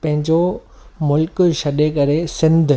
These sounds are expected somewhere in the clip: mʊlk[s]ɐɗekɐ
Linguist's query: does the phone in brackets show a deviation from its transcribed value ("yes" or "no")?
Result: yes